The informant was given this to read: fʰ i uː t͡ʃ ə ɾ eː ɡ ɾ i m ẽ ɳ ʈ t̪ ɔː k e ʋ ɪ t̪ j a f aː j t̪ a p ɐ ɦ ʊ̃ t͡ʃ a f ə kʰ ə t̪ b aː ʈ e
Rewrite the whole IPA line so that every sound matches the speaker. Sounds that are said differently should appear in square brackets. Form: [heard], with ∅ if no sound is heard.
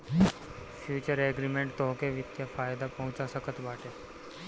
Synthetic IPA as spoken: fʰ [j] uː t͡ʃ ə ɾ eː ɡ ɾ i m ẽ ɳ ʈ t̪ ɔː k e ʋ ɪ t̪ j a f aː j [d̪] a p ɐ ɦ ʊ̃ t͡ʃ a [s] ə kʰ ə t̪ b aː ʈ e

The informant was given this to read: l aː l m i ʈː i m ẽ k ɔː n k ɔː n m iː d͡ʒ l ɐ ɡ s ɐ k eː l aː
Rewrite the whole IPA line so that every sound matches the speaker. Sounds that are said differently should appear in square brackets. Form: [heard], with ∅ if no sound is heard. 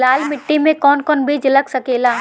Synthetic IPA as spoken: l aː l m [ɪ] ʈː i m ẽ k ɔː n k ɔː n [b] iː d͡ʒ l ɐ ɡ s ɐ k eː l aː

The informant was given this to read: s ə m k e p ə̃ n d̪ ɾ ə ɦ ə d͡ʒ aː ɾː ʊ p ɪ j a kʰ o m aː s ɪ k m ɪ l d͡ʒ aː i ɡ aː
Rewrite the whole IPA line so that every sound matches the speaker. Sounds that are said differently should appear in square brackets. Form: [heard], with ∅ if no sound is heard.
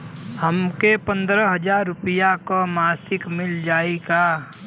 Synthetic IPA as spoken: [h] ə m k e p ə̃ n d̪ ɾ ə ɦ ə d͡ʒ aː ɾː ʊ p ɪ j a [k] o m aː s ɪ k m ɪ l d͡ʒ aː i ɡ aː

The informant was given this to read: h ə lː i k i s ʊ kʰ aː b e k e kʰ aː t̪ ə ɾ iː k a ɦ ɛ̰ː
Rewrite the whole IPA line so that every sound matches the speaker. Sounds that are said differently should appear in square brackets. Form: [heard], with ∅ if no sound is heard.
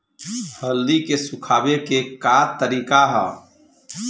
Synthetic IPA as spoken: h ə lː i k [e] s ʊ kʰ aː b e k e [k] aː t̪ ə ɾ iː k a ɦ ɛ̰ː

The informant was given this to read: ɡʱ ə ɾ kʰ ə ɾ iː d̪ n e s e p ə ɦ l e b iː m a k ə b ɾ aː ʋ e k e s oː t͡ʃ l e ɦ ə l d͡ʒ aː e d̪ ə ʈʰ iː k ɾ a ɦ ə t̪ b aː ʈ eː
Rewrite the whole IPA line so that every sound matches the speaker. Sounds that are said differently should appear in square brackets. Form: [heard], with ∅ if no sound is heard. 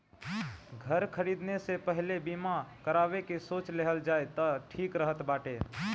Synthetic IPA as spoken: ɡʱ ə ɾ kʰ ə ɾ iː d̪ n e s e p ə ɦ l e b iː m a k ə [∅] ɾ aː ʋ e k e s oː t͡ʃ l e ɦ ə l d͡ʒ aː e [t̪] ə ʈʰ iː k ɾ [ə] ɦ ə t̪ b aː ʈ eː

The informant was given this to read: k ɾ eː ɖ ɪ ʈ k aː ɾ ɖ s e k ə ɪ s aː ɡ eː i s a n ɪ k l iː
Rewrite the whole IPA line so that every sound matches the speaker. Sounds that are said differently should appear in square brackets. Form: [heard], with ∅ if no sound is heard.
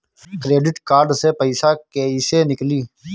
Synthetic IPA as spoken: k ɾ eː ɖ ɪ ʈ k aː ɾ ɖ s e [p] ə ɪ s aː [k] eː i s [e] n ɪ k l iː

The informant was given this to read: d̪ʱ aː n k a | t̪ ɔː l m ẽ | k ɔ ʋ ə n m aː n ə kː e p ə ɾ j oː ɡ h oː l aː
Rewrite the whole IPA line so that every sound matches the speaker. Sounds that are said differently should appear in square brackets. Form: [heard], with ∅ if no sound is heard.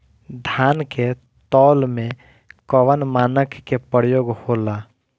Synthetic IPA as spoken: d̪ʱ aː n k [e] | t̪ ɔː l m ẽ | k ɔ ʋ ə n m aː n ə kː e p ə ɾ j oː ɡ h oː l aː

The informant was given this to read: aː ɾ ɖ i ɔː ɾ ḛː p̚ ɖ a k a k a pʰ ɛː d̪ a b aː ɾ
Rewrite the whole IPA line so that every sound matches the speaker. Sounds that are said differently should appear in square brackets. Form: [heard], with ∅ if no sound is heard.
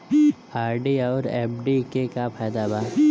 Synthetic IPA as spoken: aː ɾ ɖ i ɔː ɾ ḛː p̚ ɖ [i] k [e] k a pʰ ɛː d̪ a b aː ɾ

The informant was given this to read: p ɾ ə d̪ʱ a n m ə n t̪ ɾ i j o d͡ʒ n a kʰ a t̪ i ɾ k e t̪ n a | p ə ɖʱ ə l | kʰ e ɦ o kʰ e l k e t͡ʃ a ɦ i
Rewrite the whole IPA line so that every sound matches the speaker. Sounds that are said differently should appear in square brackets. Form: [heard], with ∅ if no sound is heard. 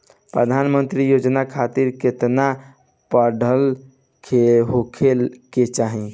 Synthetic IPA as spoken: p ɾ ə d̪ʱ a n m ə n t̪ ɾ i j o d͡ʒ n a kʰ a t̪ i ɾ k e t̪ n a | p ə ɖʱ ə l | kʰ e ɦ o kʰ e l k e t͡ʃ a ɦ i

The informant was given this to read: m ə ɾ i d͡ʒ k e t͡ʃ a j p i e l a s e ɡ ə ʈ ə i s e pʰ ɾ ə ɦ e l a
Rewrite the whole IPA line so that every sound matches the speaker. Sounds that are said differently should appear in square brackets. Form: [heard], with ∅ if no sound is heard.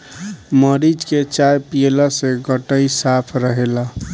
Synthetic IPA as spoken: m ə ɾ i d͡ʒ k e t͡ʃ a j p i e l a s e ɡ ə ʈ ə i s [a] pʰ ɾ ə ɦ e l a

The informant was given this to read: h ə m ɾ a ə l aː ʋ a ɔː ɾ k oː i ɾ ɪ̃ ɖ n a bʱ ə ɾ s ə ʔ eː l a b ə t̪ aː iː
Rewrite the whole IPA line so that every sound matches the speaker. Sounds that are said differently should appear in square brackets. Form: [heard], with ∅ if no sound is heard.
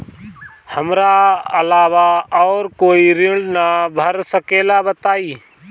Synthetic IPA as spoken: h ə m ɾ a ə l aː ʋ a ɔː ɾ k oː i ɾ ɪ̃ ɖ n a bʱ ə ɾ s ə [k] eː l a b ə t̪ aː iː

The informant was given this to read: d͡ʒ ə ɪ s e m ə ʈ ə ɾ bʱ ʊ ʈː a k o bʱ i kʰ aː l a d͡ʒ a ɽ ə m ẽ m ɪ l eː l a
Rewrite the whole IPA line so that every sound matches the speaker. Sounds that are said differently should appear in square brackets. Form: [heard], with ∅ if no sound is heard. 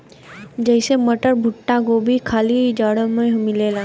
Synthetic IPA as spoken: d͡ʒ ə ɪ s e m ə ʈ ə ɾ bʱ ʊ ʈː a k o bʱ i kʰ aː l [i] d͡ʒ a ɽ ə m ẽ m ɪ l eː l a

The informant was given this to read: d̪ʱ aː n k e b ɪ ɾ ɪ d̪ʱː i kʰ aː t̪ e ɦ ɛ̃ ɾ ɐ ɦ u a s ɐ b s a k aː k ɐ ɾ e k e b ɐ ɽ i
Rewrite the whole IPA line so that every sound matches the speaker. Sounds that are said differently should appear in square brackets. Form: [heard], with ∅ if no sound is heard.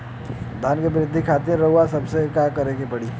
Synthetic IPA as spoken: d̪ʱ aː n k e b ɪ ɾ ɪ d̪ʱː i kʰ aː t̪ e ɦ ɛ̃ ɾ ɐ ɦ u a s ɐ b s [e] k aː k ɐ ɾ e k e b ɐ ɽ i

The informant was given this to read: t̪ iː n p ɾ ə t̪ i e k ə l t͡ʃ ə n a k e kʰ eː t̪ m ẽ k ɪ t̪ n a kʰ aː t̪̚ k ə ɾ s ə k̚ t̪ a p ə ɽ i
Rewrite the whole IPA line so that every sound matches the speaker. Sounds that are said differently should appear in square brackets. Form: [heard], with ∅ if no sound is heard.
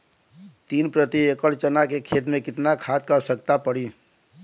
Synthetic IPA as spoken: t̪ iː n p ɾ ə t̪ i e k ə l t͡ʃ ə n a k e kʰ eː t̪ m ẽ k ɪ t̪ n a kʰ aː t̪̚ k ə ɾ s ə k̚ t̪ a p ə ɽ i

